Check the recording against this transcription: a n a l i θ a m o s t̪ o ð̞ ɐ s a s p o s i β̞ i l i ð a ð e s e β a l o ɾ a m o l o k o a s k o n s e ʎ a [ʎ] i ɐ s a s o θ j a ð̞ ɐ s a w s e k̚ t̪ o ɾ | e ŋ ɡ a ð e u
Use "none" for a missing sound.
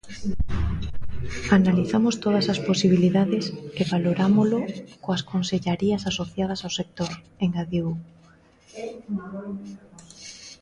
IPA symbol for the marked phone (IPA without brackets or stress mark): ɾ